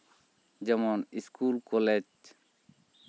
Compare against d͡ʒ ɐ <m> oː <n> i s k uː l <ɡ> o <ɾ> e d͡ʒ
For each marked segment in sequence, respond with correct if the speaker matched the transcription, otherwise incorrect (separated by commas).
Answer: correct, correct, incorrect, incorrect